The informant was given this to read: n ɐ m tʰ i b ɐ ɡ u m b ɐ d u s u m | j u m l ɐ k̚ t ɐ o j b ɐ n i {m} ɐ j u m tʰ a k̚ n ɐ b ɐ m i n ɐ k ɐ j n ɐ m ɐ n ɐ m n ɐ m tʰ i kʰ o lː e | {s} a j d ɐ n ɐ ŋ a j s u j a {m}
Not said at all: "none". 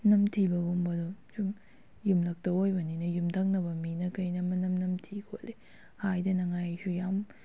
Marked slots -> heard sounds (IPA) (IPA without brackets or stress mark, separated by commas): n, h, m